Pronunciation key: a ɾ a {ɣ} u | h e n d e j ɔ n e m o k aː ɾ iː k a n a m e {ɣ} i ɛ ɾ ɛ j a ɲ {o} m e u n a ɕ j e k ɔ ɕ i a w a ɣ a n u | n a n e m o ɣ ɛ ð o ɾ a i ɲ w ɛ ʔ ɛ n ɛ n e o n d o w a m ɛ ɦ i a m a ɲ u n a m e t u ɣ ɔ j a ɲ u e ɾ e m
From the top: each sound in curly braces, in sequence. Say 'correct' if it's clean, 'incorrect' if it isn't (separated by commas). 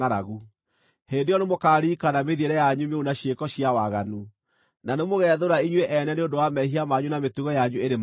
correct, incorrect, incorrect